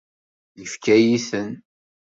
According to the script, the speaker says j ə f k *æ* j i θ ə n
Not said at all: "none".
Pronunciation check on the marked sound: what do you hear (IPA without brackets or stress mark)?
æ